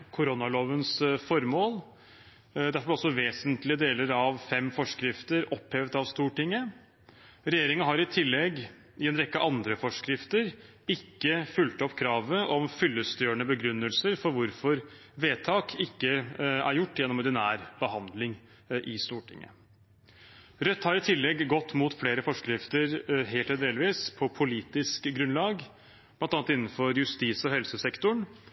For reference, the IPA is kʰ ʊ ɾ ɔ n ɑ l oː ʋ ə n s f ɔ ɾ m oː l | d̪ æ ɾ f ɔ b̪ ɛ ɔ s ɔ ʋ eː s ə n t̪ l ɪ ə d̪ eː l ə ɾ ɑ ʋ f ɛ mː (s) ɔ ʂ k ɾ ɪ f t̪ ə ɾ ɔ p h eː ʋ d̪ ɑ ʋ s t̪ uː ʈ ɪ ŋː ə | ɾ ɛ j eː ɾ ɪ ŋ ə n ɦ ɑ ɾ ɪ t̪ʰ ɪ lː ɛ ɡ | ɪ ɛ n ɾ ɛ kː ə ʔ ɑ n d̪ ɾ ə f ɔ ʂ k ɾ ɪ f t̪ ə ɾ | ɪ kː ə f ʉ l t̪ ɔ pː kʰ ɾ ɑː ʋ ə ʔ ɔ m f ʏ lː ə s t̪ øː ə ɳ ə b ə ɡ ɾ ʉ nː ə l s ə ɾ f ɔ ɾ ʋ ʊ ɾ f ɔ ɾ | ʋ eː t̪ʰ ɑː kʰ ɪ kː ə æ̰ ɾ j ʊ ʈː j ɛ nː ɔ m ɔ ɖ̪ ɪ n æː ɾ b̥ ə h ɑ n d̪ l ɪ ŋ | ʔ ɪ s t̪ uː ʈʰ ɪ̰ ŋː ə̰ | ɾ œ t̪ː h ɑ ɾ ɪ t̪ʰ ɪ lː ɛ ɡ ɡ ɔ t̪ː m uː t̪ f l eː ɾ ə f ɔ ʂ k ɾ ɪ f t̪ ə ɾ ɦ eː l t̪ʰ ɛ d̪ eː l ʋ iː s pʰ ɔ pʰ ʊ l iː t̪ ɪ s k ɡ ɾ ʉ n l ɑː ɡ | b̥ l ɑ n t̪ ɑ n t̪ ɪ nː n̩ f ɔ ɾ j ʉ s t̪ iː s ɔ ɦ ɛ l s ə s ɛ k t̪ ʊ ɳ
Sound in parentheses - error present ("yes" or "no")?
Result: yes